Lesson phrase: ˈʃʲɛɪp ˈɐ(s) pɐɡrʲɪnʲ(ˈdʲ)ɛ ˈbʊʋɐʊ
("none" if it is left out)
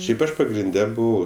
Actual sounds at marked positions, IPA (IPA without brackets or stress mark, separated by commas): ʃ, dʲ